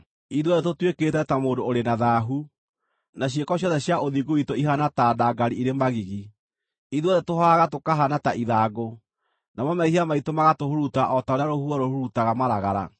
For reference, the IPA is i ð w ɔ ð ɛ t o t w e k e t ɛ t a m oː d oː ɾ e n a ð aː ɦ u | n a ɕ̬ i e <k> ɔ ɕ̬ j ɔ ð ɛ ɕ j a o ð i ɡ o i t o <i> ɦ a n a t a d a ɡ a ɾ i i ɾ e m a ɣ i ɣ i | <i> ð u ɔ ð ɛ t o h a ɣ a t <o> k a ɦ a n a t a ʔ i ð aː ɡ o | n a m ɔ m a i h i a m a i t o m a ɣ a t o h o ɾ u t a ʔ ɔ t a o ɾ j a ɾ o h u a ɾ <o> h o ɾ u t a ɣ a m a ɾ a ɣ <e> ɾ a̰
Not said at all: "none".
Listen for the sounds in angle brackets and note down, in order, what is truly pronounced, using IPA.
k, i, i, o, o, a

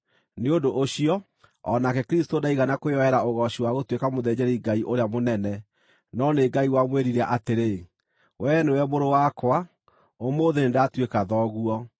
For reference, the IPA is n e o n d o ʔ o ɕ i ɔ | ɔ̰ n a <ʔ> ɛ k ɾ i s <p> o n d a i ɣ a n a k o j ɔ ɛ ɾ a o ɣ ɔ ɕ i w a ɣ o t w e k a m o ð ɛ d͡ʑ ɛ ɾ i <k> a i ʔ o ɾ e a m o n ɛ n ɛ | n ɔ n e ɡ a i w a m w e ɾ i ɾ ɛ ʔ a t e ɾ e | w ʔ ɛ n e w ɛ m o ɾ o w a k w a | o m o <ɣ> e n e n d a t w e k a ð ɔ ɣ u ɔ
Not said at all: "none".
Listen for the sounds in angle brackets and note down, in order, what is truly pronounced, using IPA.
k, t, ɡ, ð

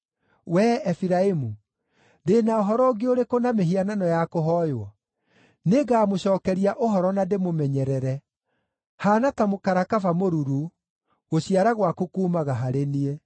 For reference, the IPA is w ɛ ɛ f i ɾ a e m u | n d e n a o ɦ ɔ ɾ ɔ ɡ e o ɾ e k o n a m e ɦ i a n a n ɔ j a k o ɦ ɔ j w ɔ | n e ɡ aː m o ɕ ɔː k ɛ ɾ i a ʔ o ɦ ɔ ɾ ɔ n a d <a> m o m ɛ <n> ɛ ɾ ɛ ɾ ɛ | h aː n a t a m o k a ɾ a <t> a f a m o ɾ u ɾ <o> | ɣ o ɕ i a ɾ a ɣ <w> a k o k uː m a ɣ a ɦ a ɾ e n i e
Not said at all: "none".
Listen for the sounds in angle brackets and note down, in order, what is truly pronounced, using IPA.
e, ɲ, k, u, w

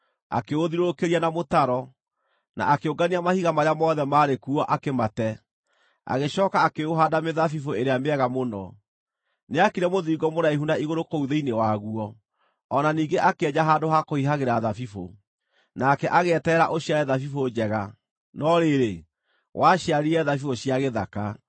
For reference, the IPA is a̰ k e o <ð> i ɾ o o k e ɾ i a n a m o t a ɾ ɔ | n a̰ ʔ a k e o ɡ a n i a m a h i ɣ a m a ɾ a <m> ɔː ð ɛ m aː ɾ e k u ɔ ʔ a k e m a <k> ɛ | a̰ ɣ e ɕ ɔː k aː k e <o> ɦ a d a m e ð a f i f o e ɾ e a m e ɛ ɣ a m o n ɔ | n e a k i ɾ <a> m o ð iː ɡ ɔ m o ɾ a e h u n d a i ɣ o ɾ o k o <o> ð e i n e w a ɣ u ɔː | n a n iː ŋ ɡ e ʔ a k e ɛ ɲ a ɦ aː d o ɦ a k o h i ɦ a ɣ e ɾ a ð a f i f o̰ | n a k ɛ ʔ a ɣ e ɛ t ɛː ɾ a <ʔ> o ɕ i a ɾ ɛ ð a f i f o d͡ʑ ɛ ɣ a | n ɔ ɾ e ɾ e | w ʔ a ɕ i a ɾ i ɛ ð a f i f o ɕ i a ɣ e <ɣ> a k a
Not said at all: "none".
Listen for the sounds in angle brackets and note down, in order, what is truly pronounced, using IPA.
ð, m, t, o, ɛ, u, ʔ, ð

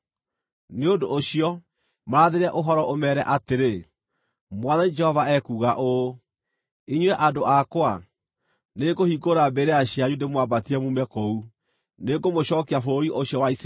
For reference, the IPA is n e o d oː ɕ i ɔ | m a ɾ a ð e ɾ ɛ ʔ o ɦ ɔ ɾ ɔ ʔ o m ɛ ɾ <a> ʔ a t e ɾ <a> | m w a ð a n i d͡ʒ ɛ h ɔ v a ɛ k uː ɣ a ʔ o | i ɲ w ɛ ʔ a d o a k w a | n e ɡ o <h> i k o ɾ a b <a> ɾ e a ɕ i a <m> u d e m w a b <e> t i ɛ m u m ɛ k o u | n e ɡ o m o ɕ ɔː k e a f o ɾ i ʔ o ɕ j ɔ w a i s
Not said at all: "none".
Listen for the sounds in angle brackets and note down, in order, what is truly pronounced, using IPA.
ɛ, e, h, e, ɲ, a

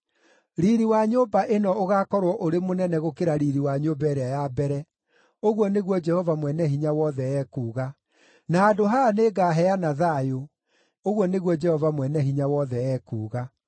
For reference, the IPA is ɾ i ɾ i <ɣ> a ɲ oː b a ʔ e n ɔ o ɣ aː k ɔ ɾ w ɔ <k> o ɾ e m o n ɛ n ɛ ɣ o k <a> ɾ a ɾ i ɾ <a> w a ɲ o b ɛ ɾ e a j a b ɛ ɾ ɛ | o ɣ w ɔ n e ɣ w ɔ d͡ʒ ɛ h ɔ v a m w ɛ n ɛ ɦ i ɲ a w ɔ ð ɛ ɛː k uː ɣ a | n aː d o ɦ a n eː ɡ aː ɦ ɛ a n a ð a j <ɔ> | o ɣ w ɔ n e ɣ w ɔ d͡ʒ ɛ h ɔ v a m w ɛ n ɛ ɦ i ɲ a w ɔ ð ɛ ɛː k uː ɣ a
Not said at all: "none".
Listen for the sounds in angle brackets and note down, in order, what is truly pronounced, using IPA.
w, ʔ, e, i, o

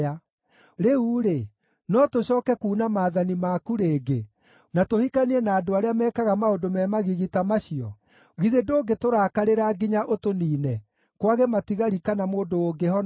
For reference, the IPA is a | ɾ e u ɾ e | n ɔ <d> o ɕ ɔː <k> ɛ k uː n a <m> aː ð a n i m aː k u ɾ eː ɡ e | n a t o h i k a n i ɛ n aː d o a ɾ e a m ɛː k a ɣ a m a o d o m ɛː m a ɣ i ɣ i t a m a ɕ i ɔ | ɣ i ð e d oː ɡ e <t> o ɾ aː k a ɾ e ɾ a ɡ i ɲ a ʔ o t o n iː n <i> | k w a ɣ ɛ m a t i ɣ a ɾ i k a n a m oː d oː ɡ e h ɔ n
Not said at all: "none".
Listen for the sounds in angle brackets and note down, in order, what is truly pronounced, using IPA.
t, k, m, t, ɛ

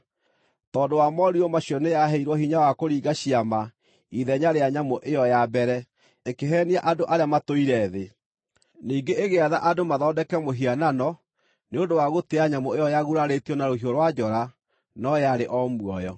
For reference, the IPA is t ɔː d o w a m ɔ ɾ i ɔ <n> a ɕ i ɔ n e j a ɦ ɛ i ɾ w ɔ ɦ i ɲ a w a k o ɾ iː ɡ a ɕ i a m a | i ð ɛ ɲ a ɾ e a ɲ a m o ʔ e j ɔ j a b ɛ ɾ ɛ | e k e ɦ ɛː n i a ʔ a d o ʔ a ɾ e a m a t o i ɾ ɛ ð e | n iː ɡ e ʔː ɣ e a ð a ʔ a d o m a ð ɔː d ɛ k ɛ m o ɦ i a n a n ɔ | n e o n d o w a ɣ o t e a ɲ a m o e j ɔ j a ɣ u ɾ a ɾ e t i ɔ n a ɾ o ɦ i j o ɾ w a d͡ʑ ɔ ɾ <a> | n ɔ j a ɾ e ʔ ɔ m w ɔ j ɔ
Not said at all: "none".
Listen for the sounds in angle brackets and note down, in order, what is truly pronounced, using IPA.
m, a

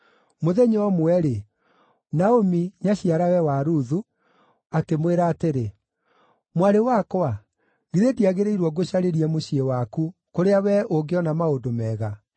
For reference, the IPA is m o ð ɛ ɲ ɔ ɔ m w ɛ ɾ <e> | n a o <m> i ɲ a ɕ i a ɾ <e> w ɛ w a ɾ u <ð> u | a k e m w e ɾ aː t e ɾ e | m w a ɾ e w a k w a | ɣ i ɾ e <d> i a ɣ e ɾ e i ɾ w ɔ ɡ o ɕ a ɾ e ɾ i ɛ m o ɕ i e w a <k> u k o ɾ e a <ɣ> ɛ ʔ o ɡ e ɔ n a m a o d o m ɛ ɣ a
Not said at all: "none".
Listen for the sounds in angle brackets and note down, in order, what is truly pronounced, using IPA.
e, m, a, ð, d, k, w

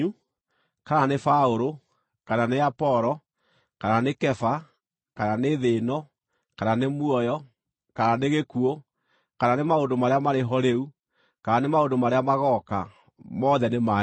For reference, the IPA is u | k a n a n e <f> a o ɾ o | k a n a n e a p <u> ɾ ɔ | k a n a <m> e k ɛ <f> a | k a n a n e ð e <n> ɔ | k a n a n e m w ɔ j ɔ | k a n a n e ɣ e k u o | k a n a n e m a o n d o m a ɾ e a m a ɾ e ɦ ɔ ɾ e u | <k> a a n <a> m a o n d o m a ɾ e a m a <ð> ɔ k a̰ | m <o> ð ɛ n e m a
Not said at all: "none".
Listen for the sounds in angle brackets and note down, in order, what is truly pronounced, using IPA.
f, ɔ, n, f, n, k, e, ɣ, ɔ

